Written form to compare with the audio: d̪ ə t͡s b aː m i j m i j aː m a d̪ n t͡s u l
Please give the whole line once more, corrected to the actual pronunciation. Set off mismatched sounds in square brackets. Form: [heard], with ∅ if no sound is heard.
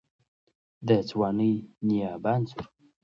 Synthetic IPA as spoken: d̪ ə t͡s [w] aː [n] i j [n] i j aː [b] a [∅] n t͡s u [ɾ]